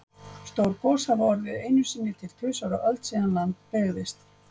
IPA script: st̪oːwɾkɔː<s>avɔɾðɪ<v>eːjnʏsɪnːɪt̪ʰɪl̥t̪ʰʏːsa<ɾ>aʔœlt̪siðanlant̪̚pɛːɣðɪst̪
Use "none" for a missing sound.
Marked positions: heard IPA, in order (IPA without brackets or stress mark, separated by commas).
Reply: s, ð, ɾ